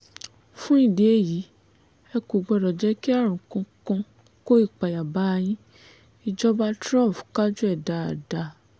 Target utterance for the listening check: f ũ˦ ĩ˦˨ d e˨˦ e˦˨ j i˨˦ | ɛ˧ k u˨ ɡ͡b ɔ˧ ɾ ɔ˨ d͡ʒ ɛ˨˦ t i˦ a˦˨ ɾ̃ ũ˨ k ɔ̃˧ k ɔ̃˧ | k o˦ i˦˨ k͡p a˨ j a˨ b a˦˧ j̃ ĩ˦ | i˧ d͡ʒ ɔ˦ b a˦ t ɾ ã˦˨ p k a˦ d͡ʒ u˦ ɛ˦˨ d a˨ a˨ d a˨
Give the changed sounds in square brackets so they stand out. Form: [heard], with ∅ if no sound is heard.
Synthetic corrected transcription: f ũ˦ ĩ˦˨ d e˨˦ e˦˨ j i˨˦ | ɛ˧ k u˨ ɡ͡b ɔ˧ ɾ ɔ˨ d͡ʒ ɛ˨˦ [k] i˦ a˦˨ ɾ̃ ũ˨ k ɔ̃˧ k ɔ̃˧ | k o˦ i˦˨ k͡p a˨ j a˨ b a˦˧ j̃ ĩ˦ | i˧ d͡ʒ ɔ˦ b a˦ t ɾ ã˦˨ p k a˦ d͡ʒ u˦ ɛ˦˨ d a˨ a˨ d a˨